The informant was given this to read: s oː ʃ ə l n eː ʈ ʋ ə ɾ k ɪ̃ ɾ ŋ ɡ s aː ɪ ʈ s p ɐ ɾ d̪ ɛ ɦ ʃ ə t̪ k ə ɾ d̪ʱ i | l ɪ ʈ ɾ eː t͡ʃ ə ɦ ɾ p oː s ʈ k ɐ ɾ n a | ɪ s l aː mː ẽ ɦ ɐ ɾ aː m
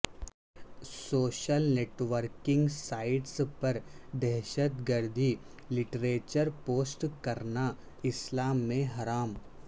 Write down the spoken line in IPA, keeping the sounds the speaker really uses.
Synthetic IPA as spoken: s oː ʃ ə l n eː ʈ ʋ ə ɾ k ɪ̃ ŋ ɡ s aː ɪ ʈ s p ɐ ɾ d̪ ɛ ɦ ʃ ə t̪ ɡ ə ɾ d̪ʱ i | l ɪ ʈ ɾ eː t͡ʃ ə ɾ p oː s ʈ k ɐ ɾ n a | ɪ s l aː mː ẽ ɦ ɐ ɾ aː m

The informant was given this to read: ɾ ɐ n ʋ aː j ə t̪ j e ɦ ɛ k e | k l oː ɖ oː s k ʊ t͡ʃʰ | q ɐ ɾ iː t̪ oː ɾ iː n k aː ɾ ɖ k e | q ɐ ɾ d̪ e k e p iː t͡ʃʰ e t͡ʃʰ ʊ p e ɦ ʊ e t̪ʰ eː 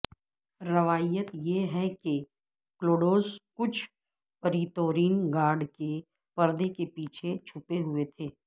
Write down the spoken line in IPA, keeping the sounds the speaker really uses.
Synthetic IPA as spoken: ɾ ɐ ʋ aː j ə t̪ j e ɦ ɛ k e | k l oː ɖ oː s k ʊ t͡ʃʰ | p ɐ ɾ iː t̪ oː ɾ iː n ɡ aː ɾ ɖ k e | p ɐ ɾ d̪ e k e p iː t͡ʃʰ e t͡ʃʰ ʊ p e ɦ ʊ e t̪ʰ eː

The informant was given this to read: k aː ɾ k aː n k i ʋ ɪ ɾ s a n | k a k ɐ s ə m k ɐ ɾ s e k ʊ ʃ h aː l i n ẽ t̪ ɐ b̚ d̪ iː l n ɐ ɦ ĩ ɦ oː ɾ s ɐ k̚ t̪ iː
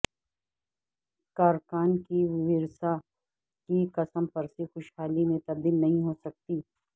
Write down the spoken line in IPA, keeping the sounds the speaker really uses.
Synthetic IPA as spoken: k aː ɾ k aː n k i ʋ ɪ ɾ s a | k i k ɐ s ə m p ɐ ɾ s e x ʊ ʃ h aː l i m ẽ t̪ ɐ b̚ d̪ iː l n ɐ ɦ ĩ ɦ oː s ɐ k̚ t̪ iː

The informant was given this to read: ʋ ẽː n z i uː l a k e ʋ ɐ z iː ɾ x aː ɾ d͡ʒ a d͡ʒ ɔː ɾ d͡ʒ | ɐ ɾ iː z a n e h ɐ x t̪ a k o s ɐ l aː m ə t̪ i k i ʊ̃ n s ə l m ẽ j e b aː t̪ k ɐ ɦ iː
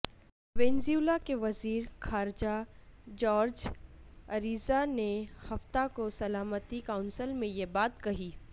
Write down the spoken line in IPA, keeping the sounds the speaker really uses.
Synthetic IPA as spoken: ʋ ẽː n z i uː l a k e ʋ ɐ z iː ɾ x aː ɾ d͡ʒ a d͡ʒ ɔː ɾ d͡ʒ | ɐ ɾ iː z a n e h ɐ f t̪ a k o s ɐ l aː m ə t̪ i k a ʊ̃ n s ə l m ẽ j e b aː t̪ k ɐ ɦ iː

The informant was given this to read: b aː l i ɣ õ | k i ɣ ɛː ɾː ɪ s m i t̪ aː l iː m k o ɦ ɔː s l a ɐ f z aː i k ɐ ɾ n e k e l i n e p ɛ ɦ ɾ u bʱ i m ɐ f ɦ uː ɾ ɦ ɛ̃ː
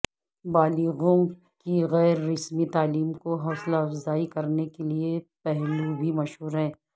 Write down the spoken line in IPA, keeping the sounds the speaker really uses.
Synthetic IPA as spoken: b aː l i ɣ õ | k i ɣ ɛː ɾː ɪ s m i t̪ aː l iː m k o ɦ ɔː s l a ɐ f z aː i k ɐ ɾ n e k e l i e p ɛ ɦ l u bʱ i m ɐ ʃ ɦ uː ɾ ɦ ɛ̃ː

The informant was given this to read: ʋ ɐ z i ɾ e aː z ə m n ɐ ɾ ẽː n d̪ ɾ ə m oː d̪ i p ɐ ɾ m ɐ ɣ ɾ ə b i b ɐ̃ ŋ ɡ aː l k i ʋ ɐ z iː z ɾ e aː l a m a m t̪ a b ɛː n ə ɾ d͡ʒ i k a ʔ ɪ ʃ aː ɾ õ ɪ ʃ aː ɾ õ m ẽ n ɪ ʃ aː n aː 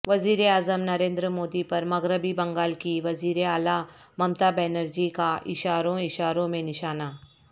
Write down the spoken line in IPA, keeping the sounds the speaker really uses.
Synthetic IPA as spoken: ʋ ɐ z iː ɾ e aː z ə m n ɐ ɾ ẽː n d̪ ɾ ə m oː d̪ i p ɐ ɾ m ɐ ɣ ɾ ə b i b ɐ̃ ŋ ɡ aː l k i ʋ ɐ z iː ɾ e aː l a m ɐ m t̪ a b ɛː n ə ɾ d͡ʒ i k a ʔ ɪ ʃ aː ɾ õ ɪ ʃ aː ɾ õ m ẽ n ɪ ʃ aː n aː

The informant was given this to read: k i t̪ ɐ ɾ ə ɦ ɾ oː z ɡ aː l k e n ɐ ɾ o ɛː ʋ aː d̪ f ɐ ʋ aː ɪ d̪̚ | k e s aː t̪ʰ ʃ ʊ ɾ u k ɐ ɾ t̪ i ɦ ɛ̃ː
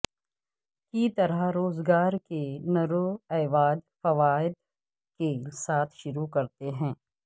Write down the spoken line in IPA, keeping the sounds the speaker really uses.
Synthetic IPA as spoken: k i t̪ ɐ ɾ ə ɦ ɾ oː z ɡ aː ɾ k e n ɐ ɾ o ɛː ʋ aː d̪ f ɐ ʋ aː ɪ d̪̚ | k e s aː t̪ʰ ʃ ʊ ɾ u k ɐ ɾ t̪ e ɦ ɛ̃ː

